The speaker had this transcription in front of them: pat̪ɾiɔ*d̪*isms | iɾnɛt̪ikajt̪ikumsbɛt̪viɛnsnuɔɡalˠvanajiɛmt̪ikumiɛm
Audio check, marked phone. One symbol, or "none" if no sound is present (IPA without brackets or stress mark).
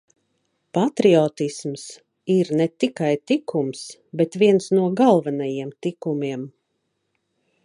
t̪